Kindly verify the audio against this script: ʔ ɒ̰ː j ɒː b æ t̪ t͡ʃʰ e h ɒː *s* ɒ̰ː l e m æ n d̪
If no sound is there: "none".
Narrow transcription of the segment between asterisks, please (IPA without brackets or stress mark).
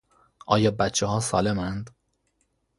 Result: s